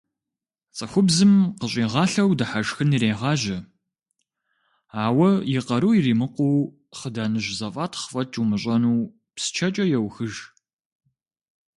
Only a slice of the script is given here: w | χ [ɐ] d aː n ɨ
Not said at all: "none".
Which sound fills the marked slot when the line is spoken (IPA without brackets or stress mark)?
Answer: ə